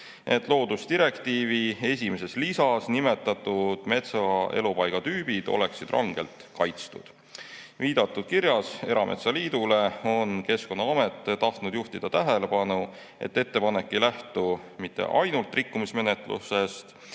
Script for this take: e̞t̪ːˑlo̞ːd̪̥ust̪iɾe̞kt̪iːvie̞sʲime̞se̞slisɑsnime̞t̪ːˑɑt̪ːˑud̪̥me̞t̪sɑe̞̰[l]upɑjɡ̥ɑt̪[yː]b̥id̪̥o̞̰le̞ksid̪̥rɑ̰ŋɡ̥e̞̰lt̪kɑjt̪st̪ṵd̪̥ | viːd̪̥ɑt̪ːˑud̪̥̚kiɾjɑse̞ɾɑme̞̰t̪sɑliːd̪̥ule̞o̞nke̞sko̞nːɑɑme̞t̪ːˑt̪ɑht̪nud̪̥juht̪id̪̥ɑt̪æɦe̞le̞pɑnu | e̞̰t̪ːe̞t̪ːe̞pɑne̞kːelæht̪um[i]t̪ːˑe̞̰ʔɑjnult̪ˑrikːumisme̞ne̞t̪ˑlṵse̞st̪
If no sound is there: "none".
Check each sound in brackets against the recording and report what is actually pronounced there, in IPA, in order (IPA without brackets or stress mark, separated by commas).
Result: l, yː, i